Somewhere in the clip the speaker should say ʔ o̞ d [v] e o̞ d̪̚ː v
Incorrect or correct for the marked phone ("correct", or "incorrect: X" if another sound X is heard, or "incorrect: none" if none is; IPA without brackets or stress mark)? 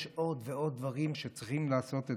correct